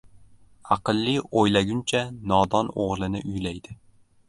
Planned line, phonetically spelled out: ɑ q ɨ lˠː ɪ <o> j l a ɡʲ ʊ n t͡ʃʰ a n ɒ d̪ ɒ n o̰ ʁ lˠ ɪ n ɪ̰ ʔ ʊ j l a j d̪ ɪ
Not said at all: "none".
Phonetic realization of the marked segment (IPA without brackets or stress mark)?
o